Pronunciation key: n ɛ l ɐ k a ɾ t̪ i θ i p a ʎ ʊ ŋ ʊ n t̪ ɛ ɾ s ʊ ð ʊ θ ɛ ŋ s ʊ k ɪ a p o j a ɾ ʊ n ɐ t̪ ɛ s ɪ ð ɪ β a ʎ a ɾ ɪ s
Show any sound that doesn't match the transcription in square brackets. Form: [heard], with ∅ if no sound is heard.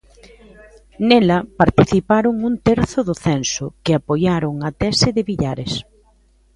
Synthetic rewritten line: n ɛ l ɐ [p] a ɾ t̪ i θ i p a [ɾ] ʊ ŋ [u] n t̪ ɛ ɾ [θ] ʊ ð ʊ θ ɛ [n] s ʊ k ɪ a p o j a ɾ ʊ [ŋ] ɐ t̪ ɛ s ɪ ð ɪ β [i] ʎ a ɾ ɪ s

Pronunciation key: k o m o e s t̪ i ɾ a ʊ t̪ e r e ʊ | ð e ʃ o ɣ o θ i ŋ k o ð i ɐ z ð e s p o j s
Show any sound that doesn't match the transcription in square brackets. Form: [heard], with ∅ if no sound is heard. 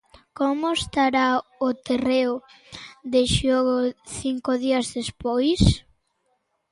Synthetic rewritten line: k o m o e s t̪ [a] ɾ a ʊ t̪ e r e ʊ | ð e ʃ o ɣ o θ i ŋ k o ð i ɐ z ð e s p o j s

